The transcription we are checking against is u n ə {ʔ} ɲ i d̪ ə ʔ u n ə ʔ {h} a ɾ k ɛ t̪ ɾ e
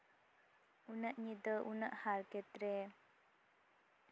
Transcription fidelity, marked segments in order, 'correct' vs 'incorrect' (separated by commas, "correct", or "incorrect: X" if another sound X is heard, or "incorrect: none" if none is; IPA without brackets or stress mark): correct, correct